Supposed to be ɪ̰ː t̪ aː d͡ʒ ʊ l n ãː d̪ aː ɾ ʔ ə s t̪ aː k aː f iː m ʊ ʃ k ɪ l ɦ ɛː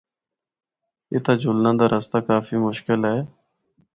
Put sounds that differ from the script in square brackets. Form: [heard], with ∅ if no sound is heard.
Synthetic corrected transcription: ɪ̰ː t̪ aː d͡ʒ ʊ l n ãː d̪ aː ɾ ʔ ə s t̪ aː k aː f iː m ʊ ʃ k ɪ l ɦ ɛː